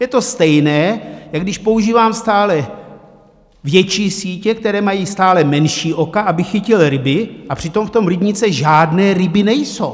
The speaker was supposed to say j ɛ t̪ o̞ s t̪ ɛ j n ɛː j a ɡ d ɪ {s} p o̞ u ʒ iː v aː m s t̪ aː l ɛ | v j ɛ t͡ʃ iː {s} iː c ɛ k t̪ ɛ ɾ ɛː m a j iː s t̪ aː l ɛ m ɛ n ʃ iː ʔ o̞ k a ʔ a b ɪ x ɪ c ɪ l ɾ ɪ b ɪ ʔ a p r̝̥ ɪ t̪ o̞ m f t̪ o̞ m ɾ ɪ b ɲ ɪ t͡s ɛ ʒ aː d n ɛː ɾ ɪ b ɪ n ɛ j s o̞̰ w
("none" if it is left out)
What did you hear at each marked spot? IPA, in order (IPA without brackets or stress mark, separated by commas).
ʃ, s